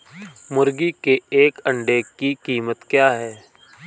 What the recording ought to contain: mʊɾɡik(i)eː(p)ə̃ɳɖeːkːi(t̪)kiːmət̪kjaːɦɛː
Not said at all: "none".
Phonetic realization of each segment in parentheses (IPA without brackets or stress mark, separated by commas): e, k, none